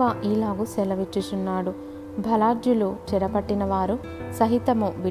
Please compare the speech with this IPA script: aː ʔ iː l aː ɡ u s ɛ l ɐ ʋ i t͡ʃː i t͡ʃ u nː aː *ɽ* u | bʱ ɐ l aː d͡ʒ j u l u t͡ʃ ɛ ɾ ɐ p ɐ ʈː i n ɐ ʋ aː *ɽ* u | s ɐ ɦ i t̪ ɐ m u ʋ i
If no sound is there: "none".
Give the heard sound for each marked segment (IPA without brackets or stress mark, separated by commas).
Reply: ɽ, ɾ